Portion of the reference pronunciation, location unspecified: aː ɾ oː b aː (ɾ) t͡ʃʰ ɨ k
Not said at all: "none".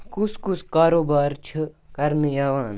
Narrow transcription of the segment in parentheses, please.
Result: ɾ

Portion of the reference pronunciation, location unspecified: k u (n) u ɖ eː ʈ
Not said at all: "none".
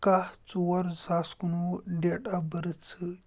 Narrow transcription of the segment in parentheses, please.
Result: n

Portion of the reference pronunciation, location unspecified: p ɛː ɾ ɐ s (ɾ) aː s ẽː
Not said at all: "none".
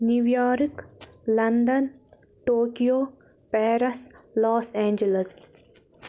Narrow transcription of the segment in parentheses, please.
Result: l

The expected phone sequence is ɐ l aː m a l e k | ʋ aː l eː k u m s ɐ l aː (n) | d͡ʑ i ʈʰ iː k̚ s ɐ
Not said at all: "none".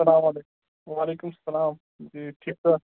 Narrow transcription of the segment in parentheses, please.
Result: m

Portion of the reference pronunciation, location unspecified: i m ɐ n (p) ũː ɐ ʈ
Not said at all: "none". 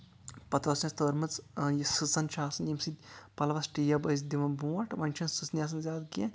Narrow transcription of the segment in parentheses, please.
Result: b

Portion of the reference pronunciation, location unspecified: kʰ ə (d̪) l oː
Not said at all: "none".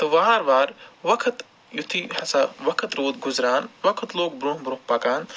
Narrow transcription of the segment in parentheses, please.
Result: t̪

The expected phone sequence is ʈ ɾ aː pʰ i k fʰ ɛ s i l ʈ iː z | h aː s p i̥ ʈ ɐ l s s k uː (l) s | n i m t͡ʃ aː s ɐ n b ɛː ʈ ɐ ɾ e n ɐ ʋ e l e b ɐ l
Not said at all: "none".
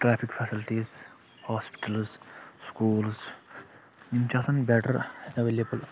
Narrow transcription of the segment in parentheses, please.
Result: l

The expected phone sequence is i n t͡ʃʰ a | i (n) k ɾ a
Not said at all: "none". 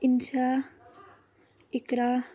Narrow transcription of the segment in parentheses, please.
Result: none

